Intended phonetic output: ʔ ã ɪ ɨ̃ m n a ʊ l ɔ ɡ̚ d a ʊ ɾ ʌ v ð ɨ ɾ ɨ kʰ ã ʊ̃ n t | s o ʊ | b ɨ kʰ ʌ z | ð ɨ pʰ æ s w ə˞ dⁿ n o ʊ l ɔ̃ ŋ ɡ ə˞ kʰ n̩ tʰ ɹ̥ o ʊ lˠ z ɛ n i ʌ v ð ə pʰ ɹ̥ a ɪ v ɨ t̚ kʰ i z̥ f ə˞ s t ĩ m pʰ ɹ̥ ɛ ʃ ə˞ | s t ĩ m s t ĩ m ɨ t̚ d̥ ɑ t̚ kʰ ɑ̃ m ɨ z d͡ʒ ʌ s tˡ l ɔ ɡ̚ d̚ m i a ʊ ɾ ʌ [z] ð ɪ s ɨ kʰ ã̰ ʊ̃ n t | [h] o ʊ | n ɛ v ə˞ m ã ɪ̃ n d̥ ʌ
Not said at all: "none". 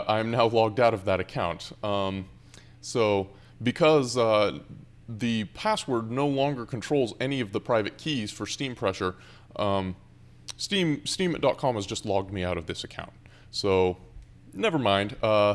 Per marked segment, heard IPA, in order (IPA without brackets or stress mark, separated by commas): v, s